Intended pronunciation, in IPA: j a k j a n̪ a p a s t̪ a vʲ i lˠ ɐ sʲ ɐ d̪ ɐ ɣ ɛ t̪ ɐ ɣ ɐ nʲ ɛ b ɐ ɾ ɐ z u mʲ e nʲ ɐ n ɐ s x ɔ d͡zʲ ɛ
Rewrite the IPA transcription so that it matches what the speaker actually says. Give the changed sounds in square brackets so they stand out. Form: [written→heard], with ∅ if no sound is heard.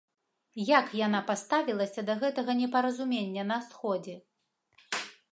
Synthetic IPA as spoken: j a k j a n̪ a p a s t̪ a vʲ i lˠ ɐ sʲ ɐ d̪ ɐ ɣ ɛ t̪ ɐ ɣ ɐ nʲ ɛ [b→p] ɐ ɾ ɐ z u mʲ e [nʲ→nʲː] ɐ n ɐ s x ɔ d͡zʲ ɛ